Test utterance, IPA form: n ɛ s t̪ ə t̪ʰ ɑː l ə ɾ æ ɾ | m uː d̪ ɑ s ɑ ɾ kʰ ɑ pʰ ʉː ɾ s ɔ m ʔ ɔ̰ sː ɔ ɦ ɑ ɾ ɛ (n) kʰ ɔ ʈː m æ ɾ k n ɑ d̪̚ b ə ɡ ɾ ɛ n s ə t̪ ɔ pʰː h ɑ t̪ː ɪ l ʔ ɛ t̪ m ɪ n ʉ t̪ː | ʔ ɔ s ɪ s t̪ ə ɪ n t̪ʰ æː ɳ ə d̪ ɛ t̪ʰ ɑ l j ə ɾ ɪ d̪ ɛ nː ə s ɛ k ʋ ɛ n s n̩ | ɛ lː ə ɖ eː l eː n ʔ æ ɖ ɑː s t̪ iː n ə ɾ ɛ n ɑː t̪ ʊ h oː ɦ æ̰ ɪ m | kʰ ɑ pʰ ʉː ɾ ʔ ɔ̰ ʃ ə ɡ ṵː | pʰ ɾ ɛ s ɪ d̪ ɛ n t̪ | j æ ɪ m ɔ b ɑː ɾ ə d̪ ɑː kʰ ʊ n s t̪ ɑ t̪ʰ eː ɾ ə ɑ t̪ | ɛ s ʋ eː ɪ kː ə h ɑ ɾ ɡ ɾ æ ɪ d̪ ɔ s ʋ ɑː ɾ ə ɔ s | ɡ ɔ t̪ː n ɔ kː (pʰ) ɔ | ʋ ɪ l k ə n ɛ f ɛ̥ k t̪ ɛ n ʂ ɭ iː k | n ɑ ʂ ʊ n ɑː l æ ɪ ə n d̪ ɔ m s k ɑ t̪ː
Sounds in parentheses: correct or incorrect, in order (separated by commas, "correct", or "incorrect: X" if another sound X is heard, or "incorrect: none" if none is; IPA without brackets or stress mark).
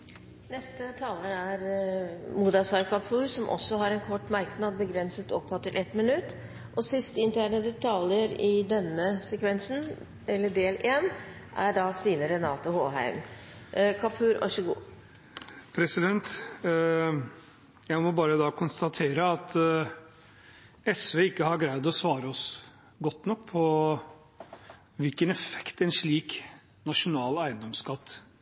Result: correct, correct